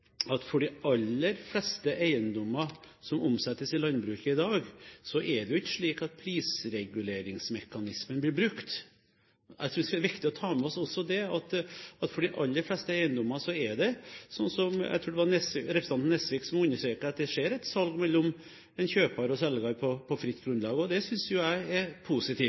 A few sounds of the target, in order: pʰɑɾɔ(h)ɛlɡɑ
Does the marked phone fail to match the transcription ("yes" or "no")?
yes